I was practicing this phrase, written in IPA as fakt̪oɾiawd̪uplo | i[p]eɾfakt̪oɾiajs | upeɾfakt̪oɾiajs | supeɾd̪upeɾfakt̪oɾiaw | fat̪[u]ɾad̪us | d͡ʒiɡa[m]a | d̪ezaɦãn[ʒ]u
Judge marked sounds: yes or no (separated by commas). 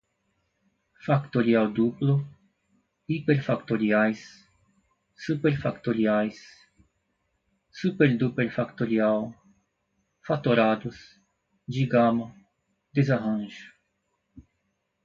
yes, no, yes, yes